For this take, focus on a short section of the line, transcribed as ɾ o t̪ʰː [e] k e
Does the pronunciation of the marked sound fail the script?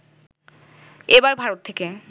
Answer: no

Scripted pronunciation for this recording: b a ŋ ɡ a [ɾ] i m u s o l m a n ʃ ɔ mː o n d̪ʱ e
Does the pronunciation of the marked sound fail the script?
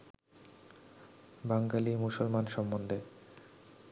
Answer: yes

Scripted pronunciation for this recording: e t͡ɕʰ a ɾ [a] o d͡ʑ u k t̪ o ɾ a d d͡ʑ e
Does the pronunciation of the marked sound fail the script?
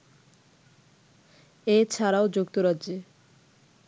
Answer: no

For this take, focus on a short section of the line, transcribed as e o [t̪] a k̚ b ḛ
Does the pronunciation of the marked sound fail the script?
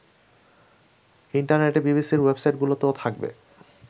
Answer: yes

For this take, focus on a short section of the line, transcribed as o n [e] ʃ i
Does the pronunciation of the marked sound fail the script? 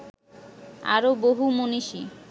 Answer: yes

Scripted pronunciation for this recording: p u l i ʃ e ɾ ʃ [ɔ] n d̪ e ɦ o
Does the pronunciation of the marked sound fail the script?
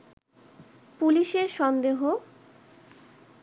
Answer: no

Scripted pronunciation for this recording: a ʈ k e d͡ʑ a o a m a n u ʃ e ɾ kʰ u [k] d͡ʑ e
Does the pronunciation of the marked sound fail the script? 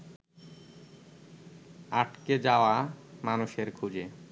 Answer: yes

